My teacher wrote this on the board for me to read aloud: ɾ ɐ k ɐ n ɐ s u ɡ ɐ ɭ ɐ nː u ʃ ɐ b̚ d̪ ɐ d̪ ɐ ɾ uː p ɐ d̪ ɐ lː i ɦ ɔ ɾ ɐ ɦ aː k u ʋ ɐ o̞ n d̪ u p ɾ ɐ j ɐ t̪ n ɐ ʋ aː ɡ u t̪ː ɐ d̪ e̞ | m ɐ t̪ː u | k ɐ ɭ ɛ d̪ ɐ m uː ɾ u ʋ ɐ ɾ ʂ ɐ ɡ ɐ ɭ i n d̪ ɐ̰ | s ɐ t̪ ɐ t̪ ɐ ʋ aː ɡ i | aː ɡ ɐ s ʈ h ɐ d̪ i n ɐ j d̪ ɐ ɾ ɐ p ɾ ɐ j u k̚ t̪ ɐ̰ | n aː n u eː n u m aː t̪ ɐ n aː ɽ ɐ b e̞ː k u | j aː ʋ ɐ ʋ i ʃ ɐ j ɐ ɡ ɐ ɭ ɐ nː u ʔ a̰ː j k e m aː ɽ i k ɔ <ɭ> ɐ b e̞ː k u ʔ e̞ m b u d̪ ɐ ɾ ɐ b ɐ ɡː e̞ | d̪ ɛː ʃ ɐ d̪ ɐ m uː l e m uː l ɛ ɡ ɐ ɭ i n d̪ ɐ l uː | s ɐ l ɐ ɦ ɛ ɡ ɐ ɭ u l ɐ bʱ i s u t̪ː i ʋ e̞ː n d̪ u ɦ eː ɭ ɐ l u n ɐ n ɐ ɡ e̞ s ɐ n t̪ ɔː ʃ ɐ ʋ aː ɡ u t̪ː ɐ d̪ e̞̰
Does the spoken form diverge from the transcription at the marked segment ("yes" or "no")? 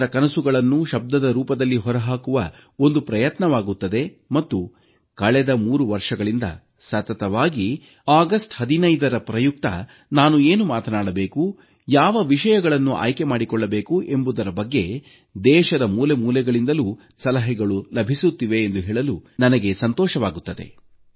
yes